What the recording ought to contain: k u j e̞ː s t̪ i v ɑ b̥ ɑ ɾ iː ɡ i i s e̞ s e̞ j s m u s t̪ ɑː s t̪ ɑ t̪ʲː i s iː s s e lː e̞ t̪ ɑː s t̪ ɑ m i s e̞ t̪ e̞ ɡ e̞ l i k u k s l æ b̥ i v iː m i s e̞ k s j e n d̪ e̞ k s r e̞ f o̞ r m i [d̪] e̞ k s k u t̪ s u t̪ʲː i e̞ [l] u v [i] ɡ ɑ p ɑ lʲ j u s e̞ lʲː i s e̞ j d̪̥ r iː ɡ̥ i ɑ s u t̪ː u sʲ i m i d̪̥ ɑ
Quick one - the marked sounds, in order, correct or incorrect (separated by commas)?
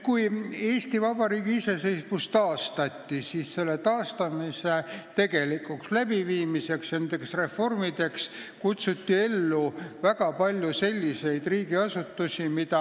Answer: correct, incorrect, incorrect